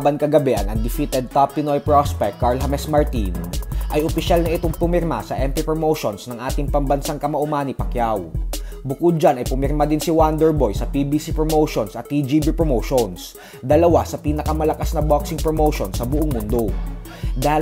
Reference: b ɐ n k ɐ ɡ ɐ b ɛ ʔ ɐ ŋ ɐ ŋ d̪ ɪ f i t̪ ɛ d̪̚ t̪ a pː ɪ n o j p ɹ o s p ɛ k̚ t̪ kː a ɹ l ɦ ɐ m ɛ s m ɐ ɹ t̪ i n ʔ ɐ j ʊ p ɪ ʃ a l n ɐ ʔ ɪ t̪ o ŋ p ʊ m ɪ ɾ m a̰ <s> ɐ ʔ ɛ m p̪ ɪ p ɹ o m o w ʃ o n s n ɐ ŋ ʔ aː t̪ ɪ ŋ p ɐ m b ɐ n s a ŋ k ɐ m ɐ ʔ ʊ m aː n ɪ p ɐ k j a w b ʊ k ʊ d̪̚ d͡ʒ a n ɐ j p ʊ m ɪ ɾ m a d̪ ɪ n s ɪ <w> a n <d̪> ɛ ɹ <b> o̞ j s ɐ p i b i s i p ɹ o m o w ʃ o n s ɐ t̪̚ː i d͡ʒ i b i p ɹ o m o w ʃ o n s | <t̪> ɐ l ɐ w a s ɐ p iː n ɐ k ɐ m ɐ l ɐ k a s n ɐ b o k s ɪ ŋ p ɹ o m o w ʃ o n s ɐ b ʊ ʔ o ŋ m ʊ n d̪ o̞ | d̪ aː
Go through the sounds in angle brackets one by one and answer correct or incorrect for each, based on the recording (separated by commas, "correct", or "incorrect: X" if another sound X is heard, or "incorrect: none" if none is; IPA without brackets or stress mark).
correct, correct, correct, correct, incorrect: d̪